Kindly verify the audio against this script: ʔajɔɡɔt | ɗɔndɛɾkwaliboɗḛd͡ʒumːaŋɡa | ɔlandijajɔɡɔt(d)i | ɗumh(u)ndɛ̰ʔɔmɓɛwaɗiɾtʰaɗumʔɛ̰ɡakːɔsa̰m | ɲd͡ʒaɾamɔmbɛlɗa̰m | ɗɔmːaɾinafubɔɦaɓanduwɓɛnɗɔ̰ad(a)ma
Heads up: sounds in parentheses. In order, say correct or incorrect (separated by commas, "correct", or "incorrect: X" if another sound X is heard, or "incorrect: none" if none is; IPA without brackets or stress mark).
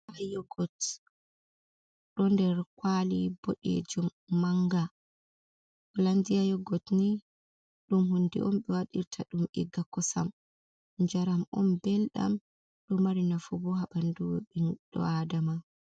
incorrect: n, correct, correct